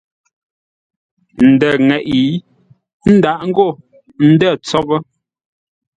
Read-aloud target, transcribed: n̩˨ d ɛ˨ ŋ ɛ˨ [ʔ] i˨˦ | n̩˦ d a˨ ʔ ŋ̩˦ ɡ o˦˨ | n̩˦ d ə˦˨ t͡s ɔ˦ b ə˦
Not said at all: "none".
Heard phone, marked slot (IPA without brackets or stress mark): ʔ